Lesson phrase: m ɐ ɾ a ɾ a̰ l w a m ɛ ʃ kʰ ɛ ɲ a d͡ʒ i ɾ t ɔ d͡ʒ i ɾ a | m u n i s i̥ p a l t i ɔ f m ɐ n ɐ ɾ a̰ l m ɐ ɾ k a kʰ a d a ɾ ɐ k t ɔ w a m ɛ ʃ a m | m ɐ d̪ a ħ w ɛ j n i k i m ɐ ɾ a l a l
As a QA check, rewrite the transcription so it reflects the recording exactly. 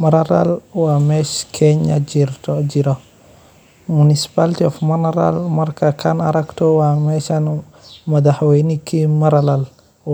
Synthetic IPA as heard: m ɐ ɾ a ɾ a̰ l w a m ɛ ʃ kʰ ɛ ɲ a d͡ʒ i ɾ t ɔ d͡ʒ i ɾ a | m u n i s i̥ p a l t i ɔ f m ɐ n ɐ ɾ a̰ l m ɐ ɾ k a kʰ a n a ɾ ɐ k t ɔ w a m ɛ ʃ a n | m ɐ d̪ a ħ w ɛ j n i k i m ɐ ɾ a l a l